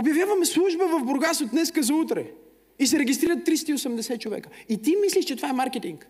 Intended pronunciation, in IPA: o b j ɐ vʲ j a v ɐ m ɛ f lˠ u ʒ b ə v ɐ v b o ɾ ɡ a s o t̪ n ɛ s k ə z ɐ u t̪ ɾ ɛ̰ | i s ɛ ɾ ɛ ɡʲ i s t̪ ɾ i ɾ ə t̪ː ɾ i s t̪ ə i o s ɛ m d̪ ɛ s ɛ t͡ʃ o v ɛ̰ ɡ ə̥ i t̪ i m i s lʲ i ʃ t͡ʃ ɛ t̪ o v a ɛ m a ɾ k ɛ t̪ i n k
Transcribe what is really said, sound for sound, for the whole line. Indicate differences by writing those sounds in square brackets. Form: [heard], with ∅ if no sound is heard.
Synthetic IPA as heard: o b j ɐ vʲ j a v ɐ m ɛ [s] lˠ u ʒ b ə v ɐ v b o ɾ ɡ a s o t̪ n ɛ s k ə z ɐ u t̪ ɾ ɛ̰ | i s ɛ ɾ ɛ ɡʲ i s t̪ ɾ i ɾ ə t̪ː ɾ i s t̪ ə i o s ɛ m d̪ ɛ s ɛ t͡ʃ o v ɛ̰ [k] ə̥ i t̪ i m i s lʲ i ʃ t͡ʃ ɛ t̪ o v a ɛ m a ɾ k ɛ t̪ i [ŋ] k